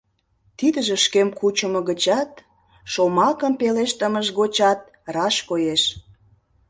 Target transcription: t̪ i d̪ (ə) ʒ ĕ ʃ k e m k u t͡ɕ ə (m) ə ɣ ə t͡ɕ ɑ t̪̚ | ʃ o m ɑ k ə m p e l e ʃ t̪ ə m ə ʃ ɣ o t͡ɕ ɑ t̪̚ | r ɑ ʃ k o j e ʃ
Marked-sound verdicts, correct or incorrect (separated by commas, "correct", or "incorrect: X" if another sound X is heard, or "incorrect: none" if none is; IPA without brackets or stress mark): correct, correct